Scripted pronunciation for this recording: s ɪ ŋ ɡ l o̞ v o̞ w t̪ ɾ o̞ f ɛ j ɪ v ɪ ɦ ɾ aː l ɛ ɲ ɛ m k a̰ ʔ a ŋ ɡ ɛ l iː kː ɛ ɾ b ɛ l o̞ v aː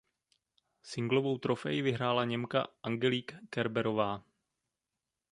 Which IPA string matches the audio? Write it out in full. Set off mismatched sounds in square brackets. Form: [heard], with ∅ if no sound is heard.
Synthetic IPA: s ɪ ŋ ɡ l o̞ v o̞ w t̪ ɾ o̞ f ɛ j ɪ v ɪ ɦ ɾ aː l [a] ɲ ɛ m k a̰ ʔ a ŋ ɡ ɛ l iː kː ɛ ɾ b ɛ [ɾ] o̞ v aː

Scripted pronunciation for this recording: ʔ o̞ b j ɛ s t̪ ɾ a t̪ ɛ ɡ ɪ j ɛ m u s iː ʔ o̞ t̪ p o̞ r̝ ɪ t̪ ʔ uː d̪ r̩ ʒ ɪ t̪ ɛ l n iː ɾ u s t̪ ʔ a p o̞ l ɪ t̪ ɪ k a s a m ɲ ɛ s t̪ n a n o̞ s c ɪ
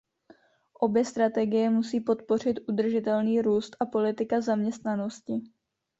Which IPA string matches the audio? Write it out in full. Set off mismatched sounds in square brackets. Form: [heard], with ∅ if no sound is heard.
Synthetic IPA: ʔ o̞ b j ɛ s t̪ ɾ a t̪ ɛ ɡ ɪ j ɛ m u s iː [p] o̞ t̪ p o̞ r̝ ɪ t̪ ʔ [u] d̪ r̩ ʒ ɪ t̪ ɛ l n iː ɾ [uː] s t̪ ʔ a p o̞ l ɪ t̪ ɪ k a [z] a m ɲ ɛ s t̪ n a n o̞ s c ɪ

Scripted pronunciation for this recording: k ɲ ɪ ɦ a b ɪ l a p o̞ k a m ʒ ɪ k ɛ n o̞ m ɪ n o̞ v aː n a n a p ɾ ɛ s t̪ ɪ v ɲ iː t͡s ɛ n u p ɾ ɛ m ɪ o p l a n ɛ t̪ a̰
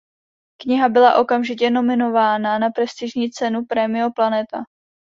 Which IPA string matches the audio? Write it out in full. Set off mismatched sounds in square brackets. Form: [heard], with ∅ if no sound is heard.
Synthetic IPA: k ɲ ɪ ɦ a b ɪ l a [ʔ] o̞ k a m ʒ ɪ [c] ɛ n o̞ m ɪ n o̞ v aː n a n a p ɾ ɛ s t̪ ɪ [ʒ] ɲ iː t͡s ɛ n u p ɾ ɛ m ɪ o p l a n ɛ t̪ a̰

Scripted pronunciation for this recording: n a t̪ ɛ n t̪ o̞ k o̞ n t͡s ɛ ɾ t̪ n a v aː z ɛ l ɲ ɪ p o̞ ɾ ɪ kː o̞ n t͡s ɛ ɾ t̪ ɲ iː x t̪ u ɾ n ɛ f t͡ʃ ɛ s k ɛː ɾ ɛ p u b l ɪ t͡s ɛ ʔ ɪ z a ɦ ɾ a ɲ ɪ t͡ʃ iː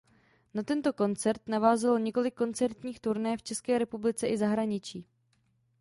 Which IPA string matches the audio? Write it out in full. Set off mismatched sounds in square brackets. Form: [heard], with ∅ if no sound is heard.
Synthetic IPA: n a t̪ ɛ n t̪ o̞ k o̞ n t͡s ɛ ɾ t̪ n a v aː z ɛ l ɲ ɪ [k] o̞ [l] ɪ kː o̞ n t͡s ɛ ɾ t̪ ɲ iː x t̪ u ɾ n ɛ f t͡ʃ ɛ s k ɛː ɾ ɛ p u b l ɪ t͡s ɛ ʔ ɪ z a ɦ ɾ a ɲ ɪ t͡ʃ iː

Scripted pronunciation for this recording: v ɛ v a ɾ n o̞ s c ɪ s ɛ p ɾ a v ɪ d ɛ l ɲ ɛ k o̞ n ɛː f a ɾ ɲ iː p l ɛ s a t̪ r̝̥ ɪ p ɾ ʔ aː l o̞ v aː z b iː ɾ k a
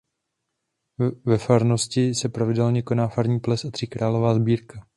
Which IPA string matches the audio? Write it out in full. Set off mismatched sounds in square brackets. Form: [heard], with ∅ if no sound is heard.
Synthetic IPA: v ɛ [f] a ɾ n o̞ s c ɪ s ɛ p ɾ a v ɪ d ɛ l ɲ ɛ k o̞ n [aː] f a ɾ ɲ iː p l ɛ s a t̪ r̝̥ ɪ [k] ɾ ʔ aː l o̞ v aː z b iː ɾ k a

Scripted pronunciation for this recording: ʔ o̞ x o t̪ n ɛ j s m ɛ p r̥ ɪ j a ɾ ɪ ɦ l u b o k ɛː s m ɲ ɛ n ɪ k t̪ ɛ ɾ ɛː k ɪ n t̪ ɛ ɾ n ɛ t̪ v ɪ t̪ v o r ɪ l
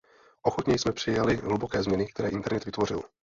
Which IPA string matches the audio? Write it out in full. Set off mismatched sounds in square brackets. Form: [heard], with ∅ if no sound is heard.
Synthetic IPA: ʔ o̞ x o t̪ [ɲ] ɛ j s m ɛ p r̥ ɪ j a [l] ɪ ɦ l u b o k ɛː [z] m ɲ ɛ n ɪ k t̪ ɛ ɾ ɛː [ʔ] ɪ n t̪ ɛ ɾ n ɛ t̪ v ɪ t̪ v o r ɪ l

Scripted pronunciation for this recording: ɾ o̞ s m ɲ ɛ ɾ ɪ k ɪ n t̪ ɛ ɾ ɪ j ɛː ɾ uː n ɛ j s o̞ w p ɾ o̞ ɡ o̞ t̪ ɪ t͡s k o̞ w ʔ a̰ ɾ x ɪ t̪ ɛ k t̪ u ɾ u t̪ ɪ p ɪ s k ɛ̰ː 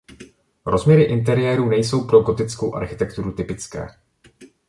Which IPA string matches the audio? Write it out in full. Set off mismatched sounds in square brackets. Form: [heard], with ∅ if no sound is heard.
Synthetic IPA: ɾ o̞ [z] m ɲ ɛ ɾ ɪ [ʔ] ɪ n t̪ ɛ ɾ ɪ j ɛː ɾ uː n ɛ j s o̞ w p ɾ o̞ ɡ o̞ t̪ ɪ t͡s k o̞ w ʔ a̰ ɾ x ɪ t̪ ɛ k t̪ u ɾ u t̪ ɪ p ɪ [t͡s] k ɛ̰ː

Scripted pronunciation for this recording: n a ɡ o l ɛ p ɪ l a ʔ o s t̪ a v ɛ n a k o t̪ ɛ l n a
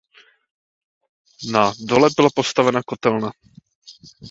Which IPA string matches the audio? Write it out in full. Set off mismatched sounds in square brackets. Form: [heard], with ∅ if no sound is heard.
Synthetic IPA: n a [d] o l ɛ [b] ɪ l a [p] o s t̪ a v ɛ n a k o t̪ ɛ l n a

